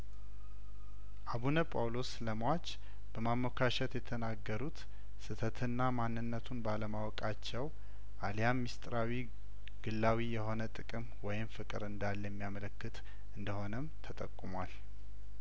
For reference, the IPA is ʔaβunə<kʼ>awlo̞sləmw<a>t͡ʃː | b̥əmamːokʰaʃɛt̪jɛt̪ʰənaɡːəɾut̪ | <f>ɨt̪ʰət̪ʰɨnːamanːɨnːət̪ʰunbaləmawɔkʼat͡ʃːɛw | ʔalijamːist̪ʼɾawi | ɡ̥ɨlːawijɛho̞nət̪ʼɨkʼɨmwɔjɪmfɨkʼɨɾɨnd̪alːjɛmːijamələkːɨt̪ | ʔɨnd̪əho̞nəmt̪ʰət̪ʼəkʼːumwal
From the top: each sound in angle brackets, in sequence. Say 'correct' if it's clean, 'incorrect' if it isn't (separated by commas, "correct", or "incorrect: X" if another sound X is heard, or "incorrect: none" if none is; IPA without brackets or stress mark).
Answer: incorrect: pʼ, correct, incorrect: s